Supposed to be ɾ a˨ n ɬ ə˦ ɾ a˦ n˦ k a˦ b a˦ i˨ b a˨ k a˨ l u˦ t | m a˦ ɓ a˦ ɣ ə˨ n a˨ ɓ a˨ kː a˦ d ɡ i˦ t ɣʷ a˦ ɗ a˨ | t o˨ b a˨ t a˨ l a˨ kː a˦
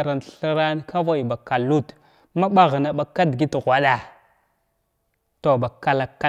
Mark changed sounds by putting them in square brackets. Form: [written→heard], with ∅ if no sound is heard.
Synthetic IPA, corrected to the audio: ɾ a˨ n ɬ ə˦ ɾ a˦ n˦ k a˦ [b→v] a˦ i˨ b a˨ k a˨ l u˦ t | m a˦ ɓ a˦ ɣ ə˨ n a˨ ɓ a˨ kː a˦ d ɡ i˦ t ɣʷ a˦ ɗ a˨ | t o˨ b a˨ [t→k] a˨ l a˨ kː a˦